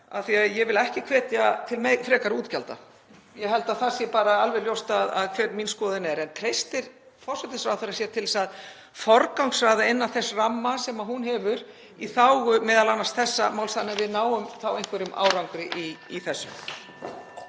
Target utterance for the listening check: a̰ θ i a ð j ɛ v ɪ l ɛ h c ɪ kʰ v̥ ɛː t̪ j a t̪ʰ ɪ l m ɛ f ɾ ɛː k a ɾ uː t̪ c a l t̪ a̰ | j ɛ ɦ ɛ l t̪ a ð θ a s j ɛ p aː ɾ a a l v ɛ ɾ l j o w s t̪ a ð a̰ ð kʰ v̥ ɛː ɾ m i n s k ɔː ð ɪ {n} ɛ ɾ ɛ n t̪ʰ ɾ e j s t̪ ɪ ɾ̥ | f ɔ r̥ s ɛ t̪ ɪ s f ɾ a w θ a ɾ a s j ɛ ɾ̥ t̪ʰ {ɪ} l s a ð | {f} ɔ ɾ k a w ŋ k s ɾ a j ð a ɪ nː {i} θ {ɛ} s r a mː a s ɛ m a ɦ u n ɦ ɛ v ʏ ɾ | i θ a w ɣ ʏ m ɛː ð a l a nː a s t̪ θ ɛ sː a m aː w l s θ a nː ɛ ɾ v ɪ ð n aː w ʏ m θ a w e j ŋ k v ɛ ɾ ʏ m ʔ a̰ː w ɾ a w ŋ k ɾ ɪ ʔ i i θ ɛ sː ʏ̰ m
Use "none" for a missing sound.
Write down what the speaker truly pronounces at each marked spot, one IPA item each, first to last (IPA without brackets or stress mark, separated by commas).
n, ɪ, f, a, ɛ